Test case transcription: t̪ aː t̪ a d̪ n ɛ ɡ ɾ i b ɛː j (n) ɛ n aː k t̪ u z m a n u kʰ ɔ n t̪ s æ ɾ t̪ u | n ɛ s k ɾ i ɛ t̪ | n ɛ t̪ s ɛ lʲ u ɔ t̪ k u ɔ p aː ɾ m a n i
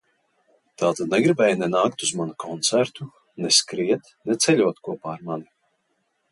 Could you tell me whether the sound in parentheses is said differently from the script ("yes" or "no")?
no